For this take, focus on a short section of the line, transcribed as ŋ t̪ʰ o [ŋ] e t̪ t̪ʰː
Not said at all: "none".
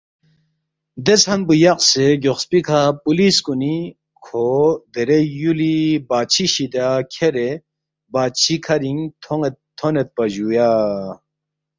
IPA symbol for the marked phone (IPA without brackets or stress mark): ŋ